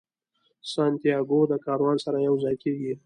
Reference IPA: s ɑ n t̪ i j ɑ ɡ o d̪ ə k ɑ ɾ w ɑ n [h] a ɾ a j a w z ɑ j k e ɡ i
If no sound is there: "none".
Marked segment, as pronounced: s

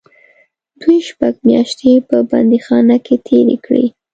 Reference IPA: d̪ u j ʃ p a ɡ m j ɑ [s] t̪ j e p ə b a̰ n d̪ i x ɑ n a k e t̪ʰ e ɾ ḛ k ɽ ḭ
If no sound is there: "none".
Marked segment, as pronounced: ʃ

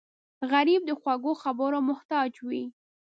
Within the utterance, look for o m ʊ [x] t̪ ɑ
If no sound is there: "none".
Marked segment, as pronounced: h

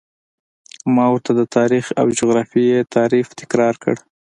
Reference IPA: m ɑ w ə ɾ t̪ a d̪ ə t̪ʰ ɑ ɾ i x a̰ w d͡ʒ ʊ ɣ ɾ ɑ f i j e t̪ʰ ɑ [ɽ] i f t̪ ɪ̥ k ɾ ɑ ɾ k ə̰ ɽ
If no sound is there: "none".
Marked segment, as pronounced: ɾ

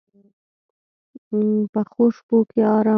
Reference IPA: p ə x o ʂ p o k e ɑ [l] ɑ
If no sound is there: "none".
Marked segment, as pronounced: ɾ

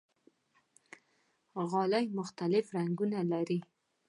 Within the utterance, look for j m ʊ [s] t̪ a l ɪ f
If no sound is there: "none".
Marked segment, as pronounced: x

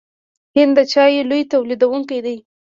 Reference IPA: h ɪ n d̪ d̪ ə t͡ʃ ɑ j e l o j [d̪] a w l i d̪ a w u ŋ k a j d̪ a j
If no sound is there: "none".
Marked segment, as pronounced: t̪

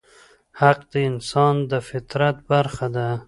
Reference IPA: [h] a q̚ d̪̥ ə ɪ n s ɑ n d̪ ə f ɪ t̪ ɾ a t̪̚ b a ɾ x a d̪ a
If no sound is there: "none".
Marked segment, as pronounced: h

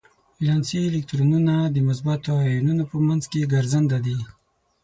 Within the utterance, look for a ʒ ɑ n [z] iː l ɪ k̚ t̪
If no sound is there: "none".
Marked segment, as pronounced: s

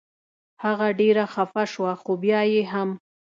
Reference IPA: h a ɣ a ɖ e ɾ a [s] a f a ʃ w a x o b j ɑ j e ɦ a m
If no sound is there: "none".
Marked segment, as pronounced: x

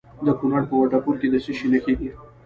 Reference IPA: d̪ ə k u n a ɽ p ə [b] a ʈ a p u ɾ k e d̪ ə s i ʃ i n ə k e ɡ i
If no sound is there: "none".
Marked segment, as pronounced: w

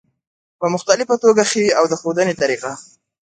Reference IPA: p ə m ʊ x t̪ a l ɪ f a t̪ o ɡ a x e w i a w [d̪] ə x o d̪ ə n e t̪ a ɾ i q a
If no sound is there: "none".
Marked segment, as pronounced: d̪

